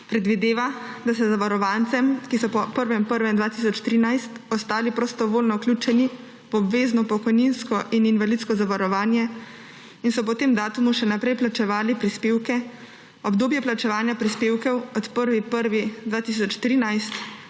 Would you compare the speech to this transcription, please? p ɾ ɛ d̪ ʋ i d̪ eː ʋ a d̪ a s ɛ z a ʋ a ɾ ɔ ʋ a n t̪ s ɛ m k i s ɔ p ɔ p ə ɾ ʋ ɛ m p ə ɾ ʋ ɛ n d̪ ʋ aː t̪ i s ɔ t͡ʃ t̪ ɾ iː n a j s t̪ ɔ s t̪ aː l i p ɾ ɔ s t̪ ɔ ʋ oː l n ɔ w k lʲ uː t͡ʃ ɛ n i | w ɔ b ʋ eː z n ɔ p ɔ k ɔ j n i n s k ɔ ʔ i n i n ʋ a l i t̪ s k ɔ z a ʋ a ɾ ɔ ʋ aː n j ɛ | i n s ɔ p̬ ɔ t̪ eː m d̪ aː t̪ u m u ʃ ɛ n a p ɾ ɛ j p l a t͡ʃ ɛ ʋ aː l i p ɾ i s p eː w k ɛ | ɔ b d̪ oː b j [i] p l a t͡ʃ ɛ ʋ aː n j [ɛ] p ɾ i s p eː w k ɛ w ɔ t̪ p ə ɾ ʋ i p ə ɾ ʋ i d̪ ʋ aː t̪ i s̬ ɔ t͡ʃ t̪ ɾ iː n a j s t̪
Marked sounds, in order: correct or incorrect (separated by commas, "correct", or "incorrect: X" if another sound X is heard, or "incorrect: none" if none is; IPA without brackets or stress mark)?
incorrect: ɛ, incorrect: a